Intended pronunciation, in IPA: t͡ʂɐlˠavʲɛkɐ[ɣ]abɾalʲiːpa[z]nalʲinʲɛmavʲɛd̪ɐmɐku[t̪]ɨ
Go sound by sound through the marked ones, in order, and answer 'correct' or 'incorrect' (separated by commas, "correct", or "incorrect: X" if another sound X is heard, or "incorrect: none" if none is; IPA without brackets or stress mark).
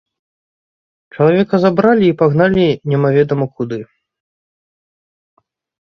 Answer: incorrect: z, incorrect: ɣ, incorrect: d̪